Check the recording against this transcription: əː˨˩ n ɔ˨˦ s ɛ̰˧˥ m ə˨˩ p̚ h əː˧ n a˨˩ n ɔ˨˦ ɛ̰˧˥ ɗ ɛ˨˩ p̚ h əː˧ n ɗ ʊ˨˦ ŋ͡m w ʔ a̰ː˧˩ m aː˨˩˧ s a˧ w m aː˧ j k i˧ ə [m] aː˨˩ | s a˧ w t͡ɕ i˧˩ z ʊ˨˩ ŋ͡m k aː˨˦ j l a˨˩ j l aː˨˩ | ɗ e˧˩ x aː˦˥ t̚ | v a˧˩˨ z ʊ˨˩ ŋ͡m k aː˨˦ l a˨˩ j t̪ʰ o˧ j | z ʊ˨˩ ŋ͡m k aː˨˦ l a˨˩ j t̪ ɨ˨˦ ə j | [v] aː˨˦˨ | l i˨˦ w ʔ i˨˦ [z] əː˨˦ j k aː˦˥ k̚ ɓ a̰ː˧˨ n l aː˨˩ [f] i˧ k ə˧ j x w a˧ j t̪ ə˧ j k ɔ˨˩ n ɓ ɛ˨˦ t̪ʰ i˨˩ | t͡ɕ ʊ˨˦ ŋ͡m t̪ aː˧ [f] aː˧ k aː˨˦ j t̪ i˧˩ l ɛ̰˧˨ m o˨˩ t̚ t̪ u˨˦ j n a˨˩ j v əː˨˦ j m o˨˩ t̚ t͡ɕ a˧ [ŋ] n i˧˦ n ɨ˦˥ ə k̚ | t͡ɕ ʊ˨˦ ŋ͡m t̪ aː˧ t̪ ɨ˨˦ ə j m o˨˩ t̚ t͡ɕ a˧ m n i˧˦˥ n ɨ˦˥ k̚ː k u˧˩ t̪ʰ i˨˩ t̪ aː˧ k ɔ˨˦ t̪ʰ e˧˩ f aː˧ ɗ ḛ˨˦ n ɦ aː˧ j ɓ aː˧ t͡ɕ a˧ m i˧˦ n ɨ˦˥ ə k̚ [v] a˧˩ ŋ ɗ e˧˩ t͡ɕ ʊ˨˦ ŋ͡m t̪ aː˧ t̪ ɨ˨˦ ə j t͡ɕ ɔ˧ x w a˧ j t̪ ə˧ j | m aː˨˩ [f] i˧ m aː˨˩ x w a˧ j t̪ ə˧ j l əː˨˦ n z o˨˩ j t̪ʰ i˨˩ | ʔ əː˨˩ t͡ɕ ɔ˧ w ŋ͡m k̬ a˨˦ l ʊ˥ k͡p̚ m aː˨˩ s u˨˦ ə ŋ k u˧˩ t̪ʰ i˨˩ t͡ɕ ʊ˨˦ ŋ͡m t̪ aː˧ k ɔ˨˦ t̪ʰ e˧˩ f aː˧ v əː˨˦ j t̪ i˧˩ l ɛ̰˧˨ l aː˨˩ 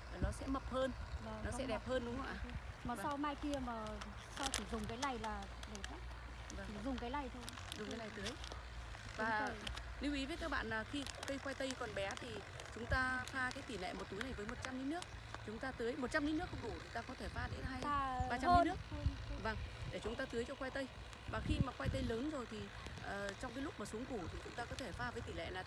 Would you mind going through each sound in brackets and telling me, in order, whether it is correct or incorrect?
correct, correct, incorrect: v, incorrect: x, correct, incorrect: m, correct, incorrect: x

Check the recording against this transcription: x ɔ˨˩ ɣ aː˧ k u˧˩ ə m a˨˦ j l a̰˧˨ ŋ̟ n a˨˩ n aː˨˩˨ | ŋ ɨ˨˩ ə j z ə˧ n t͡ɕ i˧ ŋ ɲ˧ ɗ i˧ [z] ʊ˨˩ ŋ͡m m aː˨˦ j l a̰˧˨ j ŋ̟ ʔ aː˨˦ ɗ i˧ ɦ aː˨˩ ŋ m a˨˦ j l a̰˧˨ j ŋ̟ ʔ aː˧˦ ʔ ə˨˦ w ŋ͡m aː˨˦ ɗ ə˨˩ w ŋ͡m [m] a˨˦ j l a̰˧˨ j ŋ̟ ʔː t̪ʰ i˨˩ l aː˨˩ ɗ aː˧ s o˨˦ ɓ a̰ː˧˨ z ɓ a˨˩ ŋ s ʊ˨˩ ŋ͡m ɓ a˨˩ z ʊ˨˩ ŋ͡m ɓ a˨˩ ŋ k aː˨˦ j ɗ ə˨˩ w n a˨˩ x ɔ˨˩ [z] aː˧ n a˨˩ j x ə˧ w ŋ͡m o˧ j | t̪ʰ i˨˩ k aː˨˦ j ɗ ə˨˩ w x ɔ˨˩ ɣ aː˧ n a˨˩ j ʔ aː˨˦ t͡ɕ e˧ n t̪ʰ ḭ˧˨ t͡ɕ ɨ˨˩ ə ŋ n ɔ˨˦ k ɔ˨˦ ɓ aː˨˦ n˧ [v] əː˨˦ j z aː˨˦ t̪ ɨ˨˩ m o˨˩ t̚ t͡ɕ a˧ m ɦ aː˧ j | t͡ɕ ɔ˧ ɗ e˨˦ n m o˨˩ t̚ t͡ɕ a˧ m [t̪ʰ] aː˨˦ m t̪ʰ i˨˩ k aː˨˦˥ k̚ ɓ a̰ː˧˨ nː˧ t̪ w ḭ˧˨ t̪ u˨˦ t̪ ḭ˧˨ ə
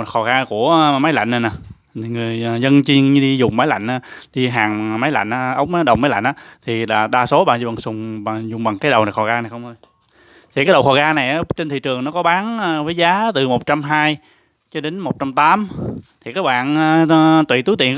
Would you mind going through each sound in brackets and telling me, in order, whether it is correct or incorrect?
correct, correct, incorrect: ɣ, correct, incorrect: t̪

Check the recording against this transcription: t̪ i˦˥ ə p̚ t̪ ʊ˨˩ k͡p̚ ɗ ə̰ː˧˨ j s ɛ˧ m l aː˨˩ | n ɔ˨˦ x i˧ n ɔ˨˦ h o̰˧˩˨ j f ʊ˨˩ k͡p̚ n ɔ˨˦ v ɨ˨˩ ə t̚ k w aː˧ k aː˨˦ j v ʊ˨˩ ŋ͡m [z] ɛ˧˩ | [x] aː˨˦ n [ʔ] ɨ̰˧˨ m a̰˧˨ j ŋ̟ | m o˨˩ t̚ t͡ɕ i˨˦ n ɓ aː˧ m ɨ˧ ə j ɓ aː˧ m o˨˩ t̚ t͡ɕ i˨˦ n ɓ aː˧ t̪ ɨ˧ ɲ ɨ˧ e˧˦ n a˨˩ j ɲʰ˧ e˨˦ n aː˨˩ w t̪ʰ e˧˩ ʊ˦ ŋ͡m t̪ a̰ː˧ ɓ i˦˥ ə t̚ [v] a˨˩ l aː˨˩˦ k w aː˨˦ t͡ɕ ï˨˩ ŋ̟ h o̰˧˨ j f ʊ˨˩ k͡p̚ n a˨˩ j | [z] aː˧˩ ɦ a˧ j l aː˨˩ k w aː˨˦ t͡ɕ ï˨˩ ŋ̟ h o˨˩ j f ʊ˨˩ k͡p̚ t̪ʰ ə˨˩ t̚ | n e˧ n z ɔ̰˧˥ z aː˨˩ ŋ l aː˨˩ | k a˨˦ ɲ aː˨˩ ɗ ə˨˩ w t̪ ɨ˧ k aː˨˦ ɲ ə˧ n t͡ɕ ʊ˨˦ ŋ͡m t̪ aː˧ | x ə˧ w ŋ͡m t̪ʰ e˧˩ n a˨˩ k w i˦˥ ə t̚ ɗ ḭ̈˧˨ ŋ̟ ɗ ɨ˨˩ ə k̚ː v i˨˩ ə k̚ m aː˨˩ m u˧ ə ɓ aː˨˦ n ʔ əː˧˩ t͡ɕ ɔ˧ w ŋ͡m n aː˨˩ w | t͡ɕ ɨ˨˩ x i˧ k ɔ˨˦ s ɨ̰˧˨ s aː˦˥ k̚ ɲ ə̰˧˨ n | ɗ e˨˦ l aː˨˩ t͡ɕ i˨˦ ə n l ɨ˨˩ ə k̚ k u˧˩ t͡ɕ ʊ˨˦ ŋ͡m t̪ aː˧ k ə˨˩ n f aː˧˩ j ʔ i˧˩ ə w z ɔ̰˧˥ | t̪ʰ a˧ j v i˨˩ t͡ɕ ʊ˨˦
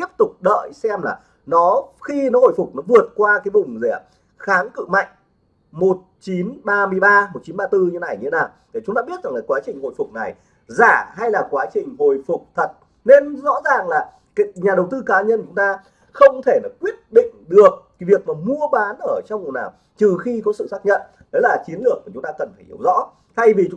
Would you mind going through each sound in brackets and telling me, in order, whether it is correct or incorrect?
correct, correct, incorrect: k, incorrect: z, correct

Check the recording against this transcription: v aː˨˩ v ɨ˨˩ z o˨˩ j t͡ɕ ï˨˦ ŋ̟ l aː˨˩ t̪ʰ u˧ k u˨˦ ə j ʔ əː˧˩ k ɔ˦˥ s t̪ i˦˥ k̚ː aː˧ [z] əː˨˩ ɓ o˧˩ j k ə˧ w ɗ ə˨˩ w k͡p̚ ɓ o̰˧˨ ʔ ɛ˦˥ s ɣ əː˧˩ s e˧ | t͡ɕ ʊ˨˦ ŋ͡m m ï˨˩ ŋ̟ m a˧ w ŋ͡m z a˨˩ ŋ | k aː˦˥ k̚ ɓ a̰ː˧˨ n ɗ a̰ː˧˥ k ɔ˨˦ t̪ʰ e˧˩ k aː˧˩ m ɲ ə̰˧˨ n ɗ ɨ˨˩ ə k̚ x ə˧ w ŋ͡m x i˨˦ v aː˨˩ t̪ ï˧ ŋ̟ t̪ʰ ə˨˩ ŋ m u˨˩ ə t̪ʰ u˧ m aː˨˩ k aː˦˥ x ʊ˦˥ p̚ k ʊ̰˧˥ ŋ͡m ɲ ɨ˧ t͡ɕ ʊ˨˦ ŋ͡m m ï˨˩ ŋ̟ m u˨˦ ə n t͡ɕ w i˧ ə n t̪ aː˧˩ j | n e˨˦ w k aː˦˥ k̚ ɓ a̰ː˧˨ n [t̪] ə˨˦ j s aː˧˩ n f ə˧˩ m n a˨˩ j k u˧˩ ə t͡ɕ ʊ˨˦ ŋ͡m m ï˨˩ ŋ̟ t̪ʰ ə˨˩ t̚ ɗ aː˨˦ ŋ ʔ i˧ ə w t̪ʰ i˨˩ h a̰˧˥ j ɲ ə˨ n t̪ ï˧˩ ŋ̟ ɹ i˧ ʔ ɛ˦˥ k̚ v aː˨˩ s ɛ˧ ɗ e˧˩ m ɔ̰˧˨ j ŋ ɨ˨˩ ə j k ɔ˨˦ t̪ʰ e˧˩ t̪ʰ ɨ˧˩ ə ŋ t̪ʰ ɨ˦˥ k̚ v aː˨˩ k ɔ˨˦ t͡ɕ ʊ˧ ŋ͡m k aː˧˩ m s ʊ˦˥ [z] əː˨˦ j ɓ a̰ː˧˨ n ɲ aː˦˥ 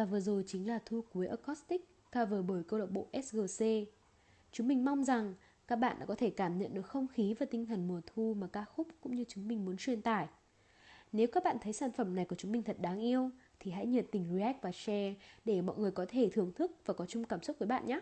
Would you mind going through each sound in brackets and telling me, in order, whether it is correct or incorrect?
incorrect: v, incorrect: t̪ʰ, incorrect: v

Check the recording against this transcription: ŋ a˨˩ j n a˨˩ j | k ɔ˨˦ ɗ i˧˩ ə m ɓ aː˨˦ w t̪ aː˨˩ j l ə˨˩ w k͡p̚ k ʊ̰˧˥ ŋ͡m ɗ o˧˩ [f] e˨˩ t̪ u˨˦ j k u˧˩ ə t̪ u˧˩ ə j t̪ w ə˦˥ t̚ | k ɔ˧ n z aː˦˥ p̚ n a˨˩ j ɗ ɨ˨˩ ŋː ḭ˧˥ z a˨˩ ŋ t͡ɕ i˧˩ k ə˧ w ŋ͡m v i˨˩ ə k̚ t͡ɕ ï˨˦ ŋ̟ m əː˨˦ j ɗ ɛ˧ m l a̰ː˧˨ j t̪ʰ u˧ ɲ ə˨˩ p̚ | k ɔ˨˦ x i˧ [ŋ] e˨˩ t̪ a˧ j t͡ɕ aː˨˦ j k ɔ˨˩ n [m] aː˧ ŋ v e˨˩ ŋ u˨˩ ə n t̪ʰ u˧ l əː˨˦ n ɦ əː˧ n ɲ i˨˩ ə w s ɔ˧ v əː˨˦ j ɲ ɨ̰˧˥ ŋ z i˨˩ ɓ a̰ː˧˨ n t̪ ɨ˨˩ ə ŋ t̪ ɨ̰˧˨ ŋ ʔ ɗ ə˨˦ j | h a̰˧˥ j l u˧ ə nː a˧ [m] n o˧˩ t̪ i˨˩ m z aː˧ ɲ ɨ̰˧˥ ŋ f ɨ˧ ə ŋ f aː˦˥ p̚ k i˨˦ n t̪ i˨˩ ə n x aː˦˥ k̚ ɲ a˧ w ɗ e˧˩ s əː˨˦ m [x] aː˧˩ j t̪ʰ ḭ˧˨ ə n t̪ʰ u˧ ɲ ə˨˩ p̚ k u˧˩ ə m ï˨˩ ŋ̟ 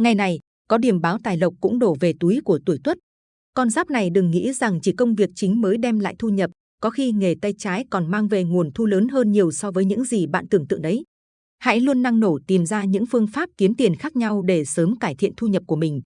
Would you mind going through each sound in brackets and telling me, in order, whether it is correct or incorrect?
incorrect: v, correct, correct, incorrect: ŋ, incorrect: k

